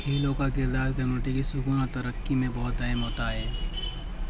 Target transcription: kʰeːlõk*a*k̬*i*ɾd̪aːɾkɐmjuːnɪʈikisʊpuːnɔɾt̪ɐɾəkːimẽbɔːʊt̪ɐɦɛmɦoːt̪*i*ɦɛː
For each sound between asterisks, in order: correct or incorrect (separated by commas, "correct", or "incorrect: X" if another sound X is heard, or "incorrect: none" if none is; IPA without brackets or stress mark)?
correct, incorrect: ɪ, incorrect: a